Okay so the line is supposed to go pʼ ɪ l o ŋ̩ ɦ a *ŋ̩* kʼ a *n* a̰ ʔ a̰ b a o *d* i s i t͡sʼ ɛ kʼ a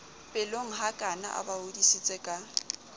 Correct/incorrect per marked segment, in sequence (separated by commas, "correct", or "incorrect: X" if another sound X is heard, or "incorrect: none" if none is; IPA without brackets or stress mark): incorrect: none, correct, correct